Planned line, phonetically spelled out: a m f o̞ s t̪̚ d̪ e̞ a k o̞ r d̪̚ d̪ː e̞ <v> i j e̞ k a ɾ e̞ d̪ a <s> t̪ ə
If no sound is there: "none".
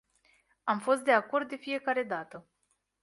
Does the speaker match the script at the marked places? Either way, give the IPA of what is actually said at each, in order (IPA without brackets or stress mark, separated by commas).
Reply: f, none